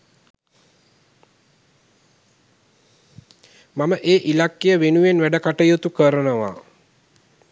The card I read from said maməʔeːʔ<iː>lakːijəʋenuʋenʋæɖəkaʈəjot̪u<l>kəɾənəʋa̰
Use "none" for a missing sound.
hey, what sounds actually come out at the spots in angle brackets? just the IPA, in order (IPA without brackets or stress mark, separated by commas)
i, none